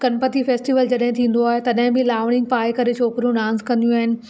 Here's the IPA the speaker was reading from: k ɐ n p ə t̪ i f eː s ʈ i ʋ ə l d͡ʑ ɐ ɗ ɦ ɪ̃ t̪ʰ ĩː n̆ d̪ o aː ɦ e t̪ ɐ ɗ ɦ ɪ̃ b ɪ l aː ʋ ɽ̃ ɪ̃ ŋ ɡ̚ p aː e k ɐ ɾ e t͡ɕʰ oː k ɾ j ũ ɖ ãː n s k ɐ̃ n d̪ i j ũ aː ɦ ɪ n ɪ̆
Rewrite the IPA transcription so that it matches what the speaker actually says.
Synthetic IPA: k ɐ n p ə t̪ i f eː s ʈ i ʋ ə l d͡ʑ ɐ ɗ ɦ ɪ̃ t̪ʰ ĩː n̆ d̪ o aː ɦ e t̪ ɐ ɗ ɦ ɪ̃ b ɪ l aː ʋ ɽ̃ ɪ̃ ŋ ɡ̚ p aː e k ɐ ɾ e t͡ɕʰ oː k ɾ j ũ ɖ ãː n s k ɐ̃ n d̪ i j ũ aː ɦ ɪ n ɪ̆